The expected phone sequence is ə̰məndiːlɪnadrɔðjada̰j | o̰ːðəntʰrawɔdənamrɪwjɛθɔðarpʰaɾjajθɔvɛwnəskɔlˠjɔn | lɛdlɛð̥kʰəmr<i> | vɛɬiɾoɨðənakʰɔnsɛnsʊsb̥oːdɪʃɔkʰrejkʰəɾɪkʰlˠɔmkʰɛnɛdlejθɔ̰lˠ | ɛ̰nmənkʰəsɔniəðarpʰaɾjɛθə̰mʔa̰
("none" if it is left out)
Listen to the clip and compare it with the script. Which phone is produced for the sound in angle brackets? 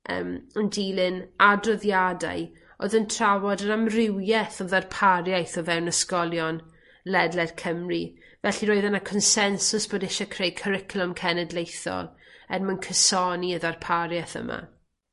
i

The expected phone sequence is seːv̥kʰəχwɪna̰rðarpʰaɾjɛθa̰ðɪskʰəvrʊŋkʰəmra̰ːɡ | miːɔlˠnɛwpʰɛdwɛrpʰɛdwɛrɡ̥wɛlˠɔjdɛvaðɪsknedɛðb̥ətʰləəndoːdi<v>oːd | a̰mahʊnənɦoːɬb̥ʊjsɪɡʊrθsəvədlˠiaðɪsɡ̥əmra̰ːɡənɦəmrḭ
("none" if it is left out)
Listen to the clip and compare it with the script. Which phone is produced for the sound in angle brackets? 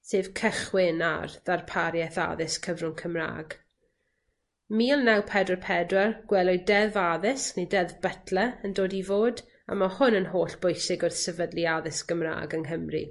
v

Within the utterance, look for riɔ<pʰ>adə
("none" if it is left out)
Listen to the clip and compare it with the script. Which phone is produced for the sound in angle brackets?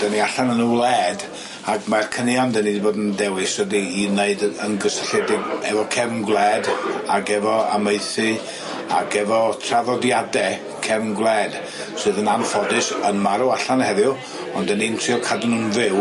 kʰ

